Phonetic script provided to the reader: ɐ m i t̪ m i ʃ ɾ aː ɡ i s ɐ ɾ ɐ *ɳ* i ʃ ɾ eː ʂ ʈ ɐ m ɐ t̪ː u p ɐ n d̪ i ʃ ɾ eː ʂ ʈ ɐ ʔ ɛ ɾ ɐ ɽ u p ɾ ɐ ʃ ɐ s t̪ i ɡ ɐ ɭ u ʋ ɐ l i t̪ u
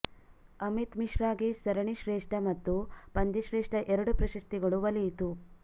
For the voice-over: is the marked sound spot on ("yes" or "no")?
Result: yes